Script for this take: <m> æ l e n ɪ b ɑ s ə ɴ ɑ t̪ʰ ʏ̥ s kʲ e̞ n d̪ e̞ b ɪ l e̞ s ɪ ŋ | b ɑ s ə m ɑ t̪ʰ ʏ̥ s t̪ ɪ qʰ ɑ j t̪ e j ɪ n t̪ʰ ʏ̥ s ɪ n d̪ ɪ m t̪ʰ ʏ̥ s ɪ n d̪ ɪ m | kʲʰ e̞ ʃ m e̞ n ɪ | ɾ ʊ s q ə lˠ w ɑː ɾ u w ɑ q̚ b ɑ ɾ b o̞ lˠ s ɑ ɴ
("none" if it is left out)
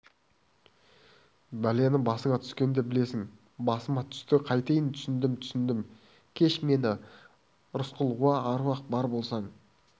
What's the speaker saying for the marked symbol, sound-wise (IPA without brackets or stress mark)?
b